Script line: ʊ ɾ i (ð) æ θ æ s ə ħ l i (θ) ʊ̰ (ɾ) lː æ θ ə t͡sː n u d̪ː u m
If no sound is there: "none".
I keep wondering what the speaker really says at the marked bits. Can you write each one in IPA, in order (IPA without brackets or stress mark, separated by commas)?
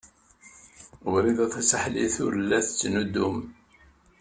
ð, θ, ɾ